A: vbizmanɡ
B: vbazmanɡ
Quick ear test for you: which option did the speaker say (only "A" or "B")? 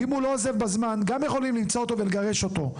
B